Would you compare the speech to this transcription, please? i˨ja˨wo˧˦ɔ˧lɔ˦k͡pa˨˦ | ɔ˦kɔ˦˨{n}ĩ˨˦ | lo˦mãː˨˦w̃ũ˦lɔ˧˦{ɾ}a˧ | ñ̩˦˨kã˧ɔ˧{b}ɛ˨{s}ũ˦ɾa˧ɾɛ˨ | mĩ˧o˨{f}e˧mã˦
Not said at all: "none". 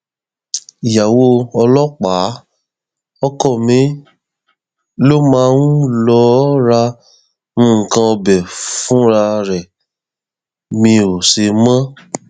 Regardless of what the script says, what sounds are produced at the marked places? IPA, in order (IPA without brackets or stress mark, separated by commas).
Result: m, ɾ, b, f, s